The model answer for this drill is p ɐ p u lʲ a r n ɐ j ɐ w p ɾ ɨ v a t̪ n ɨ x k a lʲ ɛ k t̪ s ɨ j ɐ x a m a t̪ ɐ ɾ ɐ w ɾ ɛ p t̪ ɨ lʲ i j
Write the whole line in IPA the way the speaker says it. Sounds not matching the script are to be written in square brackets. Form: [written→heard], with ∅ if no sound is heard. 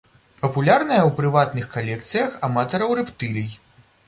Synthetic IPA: p ɐ p u lʲ a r n ɐ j ɐ w p ɾ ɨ v a t̪ n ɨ x k a lʲ ɛ k t̪ s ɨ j ɐ x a m a t̪ ɐ ɾ ɐ w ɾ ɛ p t̪ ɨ lʲ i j